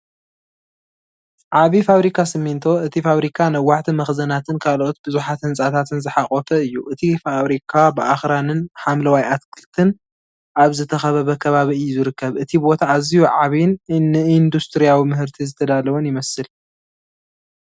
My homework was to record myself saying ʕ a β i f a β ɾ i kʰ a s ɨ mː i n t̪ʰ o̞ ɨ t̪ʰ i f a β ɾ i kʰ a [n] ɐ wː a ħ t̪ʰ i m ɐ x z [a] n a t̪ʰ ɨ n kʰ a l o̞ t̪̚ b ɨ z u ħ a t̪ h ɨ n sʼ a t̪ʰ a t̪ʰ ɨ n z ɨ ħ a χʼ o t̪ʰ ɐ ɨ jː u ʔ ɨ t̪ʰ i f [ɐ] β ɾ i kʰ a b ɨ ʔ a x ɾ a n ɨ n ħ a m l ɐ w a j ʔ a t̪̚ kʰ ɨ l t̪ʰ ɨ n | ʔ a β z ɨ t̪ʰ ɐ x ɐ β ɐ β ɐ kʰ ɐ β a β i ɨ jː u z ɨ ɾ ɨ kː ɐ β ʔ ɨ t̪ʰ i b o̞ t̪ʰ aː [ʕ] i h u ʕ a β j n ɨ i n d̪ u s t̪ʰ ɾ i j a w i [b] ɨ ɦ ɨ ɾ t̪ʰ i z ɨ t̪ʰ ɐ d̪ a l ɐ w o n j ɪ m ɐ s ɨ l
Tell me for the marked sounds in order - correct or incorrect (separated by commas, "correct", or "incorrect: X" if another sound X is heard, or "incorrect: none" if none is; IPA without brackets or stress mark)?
correct, incorrect: ɐ, incorrect: a, incorrect: z, incorrect: m